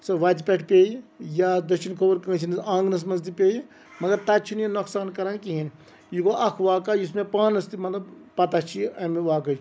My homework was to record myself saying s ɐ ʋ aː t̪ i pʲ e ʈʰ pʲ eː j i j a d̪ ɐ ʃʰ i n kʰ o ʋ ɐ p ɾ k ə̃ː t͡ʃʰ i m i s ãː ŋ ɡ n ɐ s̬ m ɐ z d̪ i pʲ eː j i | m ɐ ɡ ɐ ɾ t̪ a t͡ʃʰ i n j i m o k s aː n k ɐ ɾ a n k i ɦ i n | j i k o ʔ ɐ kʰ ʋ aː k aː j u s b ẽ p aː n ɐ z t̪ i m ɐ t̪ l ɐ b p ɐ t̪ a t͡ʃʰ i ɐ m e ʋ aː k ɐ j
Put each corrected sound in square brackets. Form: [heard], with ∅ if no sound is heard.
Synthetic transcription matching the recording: s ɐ ʋ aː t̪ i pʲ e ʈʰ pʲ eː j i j a d̪ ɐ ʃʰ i n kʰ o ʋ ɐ [∅] ɾ k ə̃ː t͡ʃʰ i [n] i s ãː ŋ ɡ n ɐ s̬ m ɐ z d̪ i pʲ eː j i | m ɐ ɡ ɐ ɾ t̪ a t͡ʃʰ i n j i [n] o k s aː n k ɐ ɾ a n k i ɦ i n | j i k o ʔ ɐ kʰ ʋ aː k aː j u s [m] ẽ p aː n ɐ [s] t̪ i m ɐ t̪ l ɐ b p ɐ t̪ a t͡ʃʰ i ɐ m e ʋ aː k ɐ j

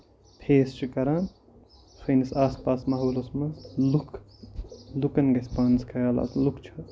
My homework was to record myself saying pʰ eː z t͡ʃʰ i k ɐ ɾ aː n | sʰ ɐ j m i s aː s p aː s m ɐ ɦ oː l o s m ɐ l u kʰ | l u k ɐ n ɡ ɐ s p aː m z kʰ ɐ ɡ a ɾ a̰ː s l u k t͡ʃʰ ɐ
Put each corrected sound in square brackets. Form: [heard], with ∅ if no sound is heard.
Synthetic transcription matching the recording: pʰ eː [s] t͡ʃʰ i k ɐ ɾ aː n | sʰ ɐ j [n] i s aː s p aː s m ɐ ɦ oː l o s m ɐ l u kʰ | l u k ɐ n ɡ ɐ s p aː [n] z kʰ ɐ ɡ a [l] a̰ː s l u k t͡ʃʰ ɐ

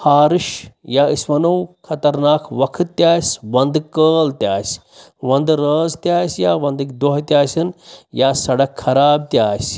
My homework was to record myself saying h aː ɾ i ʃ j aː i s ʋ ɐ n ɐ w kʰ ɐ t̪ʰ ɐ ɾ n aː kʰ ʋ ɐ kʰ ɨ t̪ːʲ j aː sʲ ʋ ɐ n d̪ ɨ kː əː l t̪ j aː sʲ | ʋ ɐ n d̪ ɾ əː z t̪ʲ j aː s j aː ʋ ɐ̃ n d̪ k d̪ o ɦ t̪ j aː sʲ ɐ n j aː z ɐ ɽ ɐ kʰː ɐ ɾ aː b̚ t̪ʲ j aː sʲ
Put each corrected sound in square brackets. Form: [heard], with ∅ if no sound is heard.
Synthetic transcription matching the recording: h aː ɾ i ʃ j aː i s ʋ ɐ n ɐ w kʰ ɐ [t̪] ɐ ɾ n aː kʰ ʋ ɐ kʰ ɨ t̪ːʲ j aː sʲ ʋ ɐ n d̪ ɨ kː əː l t̪ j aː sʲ | ʋ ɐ n d̪ ɾ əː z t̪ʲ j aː s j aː ʋ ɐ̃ n d̪ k d̪ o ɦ t̪ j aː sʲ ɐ n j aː [s] ɐ ɽ ɐ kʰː ɐ ɾ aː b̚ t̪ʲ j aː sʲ

